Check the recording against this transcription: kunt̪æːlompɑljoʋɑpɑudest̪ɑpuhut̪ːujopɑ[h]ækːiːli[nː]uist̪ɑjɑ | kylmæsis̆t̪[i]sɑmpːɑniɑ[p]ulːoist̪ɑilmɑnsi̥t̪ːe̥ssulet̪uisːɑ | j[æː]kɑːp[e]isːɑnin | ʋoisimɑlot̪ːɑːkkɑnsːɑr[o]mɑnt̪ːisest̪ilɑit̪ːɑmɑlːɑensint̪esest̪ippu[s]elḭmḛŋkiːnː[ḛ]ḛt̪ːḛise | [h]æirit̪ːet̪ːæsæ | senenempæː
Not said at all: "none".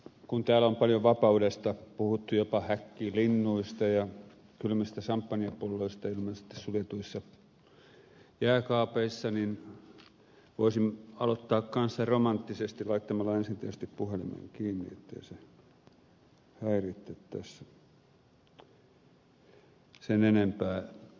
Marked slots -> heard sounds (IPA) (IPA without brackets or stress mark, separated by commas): h, nː, æ, p, æː, e, o, h, ḭ, h